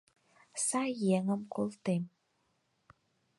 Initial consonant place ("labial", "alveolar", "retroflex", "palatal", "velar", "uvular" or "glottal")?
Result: alveolar